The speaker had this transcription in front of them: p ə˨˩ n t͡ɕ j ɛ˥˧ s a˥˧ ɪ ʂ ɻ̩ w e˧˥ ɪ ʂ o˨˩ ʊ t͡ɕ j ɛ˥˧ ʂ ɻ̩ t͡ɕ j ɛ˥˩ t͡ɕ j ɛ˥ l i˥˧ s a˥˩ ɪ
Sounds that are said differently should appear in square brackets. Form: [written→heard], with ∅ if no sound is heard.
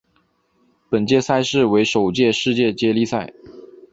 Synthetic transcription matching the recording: p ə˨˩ n t͡ɕ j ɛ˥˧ s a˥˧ ɪ ʂ ɻ̩ w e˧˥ ɪ ʂ o˨˩ ʊ t͡ɕ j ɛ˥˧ ʂ ɻ̩ t͡ɕ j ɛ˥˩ t͡ɕ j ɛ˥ l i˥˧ s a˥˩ ɪ